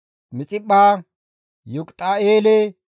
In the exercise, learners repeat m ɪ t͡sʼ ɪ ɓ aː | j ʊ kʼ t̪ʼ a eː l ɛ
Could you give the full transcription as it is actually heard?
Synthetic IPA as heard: m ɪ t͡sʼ ɪ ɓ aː | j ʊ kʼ t̪ʼ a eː l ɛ